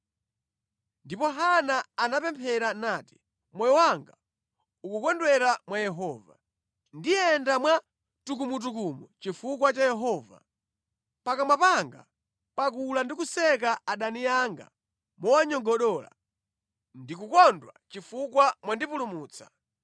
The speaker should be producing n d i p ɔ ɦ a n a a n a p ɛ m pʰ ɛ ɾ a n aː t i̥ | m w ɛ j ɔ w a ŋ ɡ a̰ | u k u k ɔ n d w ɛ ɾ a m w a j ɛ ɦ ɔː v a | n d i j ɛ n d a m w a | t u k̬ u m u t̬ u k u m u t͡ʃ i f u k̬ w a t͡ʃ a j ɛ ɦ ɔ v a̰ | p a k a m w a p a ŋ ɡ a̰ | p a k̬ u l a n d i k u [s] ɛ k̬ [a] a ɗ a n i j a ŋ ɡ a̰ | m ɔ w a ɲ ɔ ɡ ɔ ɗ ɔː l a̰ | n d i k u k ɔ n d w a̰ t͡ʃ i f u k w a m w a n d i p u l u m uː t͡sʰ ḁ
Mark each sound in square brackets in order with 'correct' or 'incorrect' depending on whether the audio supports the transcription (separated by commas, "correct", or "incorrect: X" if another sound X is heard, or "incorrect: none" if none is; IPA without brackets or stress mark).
correct, correct